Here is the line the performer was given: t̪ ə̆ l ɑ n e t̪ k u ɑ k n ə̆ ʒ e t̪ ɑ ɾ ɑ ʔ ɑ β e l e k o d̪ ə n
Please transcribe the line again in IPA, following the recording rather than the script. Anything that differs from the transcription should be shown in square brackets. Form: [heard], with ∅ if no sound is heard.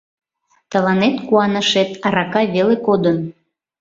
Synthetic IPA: t̪ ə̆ l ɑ n e t̪ k u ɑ [∅] n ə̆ [ʃ] e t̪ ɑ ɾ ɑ [k] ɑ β e l e k o d̪ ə n